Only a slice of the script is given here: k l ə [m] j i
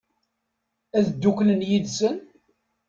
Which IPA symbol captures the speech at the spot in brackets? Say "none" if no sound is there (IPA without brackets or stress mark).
n